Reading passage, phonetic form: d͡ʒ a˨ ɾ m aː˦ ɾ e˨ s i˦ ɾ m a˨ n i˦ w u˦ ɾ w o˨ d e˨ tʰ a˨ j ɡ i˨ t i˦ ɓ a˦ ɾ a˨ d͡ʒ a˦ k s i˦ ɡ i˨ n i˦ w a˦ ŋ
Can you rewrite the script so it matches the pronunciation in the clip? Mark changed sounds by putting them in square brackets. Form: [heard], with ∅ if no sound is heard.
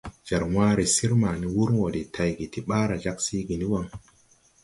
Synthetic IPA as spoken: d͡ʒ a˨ ɾ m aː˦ ɾ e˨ s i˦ ɾ m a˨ n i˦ w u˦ ɾ w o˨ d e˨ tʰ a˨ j ɡ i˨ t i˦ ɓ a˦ ɾ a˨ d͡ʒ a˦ k s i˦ ɡ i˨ n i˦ w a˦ ŋ